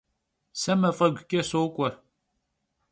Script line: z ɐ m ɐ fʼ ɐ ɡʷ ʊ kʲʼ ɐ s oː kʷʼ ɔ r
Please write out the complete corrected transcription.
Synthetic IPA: s ɐ m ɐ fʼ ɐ ɡʷ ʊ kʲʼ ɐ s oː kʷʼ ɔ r